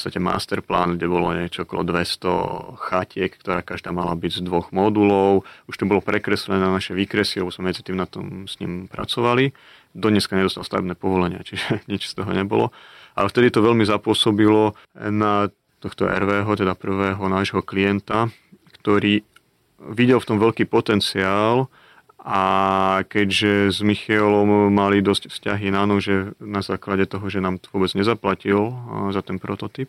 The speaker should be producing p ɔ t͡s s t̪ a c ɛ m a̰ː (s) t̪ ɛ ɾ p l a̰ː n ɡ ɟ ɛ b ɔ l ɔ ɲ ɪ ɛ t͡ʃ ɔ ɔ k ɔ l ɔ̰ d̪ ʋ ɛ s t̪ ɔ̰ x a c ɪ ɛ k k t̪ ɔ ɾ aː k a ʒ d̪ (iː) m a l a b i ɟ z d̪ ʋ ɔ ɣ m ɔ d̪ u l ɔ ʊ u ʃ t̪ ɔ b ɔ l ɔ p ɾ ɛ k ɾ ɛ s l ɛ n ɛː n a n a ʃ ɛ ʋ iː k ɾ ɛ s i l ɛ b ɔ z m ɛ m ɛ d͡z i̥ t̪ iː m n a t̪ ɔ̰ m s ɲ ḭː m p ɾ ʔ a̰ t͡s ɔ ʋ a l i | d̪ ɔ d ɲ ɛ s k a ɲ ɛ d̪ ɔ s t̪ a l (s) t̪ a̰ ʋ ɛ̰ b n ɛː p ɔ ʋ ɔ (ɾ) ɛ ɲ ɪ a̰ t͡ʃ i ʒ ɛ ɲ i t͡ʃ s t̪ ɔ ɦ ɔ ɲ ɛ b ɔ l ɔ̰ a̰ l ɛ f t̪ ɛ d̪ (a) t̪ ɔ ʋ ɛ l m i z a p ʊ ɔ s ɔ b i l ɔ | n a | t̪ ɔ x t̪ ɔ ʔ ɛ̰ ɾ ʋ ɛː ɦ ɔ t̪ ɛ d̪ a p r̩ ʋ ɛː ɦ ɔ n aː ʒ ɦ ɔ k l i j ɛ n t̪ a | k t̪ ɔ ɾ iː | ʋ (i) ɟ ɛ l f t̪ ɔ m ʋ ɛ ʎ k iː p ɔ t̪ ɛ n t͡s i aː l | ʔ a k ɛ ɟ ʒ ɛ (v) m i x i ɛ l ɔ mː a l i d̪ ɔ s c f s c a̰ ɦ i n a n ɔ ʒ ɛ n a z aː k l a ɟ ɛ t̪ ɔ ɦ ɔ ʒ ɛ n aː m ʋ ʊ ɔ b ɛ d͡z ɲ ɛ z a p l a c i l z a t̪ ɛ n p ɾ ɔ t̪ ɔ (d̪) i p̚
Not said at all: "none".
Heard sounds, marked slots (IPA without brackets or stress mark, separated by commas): s, aː, s, l, i, i, z, t̪